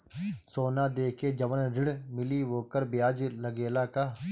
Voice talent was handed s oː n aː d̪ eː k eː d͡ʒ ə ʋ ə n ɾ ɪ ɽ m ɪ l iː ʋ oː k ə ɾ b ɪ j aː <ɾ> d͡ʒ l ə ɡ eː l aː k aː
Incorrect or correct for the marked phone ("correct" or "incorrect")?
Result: incorrect